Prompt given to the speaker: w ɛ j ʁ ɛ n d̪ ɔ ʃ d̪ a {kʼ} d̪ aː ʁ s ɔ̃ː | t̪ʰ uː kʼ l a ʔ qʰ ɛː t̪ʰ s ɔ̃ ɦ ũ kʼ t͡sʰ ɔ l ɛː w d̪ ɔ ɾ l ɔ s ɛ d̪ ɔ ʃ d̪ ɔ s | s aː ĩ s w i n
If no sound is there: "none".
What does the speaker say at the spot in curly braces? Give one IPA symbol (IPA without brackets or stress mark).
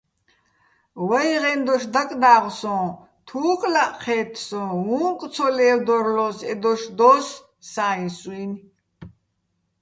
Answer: kʼ